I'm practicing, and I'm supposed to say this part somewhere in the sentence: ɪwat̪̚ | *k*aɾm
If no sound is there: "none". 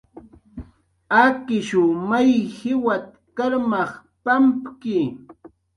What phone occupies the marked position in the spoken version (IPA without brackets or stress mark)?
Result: k